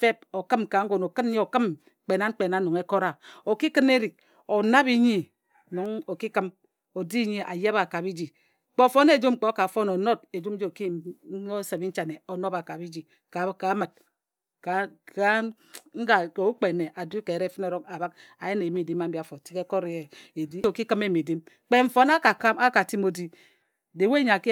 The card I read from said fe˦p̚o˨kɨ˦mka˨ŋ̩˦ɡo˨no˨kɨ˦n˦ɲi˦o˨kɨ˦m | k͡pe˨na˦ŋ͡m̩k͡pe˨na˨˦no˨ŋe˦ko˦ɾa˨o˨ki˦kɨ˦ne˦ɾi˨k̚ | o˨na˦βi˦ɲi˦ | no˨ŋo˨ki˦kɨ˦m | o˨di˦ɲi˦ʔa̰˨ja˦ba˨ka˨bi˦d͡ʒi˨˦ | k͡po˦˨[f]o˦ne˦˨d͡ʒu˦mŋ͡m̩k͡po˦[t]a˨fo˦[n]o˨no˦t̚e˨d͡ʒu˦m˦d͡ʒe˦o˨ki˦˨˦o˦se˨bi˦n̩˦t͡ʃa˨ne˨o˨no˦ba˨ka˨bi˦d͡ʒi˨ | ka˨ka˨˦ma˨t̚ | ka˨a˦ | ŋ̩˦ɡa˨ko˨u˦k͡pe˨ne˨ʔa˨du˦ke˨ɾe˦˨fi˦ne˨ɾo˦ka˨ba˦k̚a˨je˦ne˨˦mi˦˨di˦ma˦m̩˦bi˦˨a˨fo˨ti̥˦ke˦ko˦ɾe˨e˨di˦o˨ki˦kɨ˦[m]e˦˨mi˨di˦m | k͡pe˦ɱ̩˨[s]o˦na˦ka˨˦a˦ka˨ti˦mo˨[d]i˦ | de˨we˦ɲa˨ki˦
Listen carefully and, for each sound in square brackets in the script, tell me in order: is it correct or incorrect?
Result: correct, incorrect, correct, correct, incorrect, correct

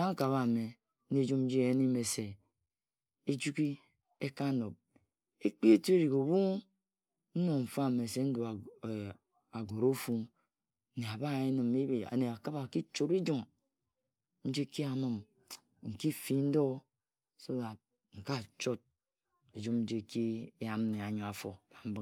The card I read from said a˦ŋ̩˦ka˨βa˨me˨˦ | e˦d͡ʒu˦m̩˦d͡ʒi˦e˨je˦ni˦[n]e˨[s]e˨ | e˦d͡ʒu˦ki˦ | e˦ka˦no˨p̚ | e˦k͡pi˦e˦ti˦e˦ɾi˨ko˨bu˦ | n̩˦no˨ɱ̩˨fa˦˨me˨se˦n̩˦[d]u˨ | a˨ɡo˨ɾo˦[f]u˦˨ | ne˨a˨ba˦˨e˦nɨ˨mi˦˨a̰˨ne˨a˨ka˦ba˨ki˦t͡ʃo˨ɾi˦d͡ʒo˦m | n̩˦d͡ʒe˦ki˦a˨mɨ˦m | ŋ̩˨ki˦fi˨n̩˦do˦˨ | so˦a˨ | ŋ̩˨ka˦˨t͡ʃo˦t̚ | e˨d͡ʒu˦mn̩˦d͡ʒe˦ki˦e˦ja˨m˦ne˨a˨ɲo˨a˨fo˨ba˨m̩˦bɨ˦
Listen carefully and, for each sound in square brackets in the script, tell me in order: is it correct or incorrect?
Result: incorrect, correct, correct, correct

